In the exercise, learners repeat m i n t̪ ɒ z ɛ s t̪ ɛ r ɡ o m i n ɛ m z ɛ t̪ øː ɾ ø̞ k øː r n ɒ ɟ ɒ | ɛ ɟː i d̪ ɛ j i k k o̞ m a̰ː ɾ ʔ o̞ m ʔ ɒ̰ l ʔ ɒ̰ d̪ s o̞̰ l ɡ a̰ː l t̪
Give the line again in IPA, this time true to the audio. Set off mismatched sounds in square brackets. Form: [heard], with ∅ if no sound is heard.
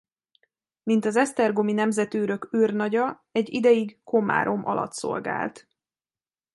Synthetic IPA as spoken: m i n t̪ ɒ z ɛ s t̪ ɛ r ɡ o m i n ɛ m z ɛ t̪ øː ɾ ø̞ k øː r n ɒ ɟ ɒ | ɛ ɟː i d̪ ɛ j i [ɡ] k o̞ m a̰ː ɾ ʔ o̞ m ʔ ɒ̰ l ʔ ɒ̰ [t̪] s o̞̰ l ɡ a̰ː l t̪